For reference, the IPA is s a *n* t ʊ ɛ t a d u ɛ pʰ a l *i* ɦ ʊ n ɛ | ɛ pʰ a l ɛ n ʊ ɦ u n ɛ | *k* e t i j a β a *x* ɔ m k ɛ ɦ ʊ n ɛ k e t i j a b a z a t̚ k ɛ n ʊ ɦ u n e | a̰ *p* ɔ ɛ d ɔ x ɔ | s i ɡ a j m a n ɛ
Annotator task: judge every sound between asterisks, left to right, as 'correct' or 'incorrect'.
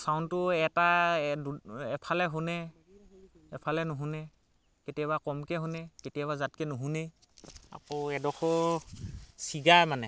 correct, incorrect: ɛ, correct, incorrect: k, incorrect: k

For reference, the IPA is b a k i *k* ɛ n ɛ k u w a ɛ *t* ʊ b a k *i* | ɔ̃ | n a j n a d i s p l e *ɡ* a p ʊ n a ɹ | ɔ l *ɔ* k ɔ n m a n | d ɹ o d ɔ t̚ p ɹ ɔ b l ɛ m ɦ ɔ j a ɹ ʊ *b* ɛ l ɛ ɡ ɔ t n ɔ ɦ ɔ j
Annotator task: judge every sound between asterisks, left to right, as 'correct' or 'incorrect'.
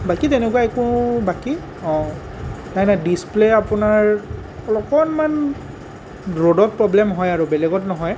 incorrect: t, incorrect: k, correct, incorrect: none, correct, correct

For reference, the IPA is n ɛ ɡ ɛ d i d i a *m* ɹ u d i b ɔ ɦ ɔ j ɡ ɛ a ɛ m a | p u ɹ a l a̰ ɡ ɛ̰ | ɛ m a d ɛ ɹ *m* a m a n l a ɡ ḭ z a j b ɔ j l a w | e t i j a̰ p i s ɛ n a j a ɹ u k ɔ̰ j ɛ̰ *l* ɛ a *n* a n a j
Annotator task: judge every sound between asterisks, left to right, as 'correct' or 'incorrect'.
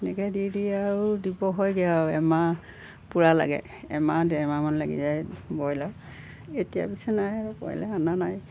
incorrect: none, correct, correct, correct

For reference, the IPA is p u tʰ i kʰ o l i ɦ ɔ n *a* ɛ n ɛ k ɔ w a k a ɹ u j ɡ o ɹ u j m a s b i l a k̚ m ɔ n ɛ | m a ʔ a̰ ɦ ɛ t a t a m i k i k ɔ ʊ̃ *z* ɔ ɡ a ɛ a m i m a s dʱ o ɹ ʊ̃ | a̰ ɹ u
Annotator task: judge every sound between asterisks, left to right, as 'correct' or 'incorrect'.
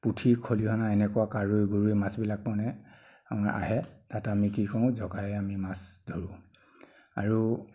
correct, correct

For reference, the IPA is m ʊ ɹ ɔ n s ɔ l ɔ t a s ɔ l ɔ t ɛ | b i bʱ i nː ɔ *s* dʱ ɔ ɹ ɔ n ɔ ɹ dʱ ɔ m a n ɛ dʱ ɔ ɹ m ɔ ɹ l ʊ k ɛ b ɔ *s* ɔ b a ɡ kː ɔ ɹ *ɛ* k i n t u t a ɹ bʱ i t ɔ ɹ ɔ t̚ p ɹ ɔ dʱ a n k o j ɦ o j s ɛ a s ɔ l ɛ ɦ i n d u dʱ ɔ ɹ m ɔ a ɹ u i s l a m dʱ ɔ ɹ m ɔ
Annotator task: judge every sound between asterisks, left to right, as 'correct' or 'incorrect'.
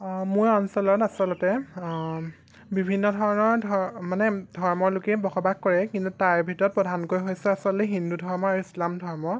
incorrect: none, incorrect: x, correct

